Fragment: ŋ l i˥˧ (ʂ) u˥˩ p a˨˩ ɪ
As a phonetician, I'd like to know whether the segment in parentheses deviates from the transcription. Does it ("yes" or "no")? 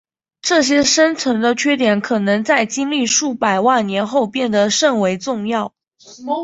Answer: no